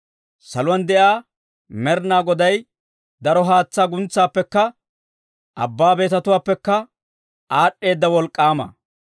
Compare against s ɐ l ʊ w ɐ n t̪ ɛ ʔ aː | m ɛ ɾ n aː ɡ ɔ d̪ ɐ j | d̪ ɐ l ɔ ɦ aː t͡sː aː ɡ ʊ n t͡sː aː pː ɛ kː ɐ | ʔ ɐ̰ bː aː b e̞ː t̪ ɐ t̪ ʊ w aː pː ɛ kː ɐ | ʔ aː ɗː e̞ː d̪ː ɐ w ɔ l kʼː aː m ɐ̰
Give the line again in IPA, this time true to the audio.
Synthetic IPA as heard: s ɐ l ʊ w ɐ n d̪ ɛ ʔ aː | m ɛ ɾ n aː ɡ ɔ d̪ ɐ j | d̪ ɐ ɾ ɔ ɦ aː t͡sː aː ɡ ʊ n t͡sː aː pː ɛ kː ɐ | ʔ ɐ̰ bː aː b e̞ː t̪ ɐ t̪ ʊ w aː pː ɛ kː ɐ | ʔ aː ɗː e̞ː d̪ː ɐ w ɔ l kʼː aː m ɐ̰